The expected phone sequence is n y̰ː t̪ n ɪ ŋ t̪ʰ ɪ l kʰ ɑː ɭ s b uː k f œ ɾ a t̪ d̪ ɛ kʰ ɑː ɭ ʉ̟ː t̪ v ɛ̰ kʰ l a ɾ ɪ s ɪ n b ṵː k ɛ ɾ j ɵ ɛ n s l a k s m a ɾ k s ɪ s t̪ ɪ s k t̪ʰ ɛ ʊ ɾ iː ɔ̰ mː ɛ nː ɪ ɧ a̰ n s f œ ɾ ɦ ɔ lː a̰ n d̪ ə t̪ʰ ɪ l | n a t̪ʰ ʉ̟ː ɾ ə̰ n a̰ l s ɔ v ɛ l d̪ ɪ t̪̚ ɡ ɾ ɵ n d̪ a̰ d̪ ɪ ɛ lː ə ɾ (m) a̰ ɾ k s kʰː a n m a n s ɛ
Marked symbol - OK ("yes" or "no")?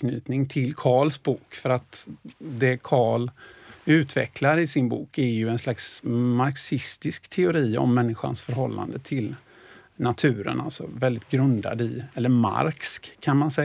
yes